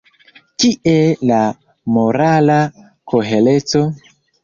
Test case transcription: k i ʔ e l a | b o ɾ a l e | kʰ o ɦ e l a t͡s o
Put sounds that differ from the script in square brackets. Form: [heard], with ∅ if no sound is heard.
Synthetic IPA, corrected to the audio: k i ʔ e l a | [m] o ɾ a l [a] | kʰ o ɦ e l [e] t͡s o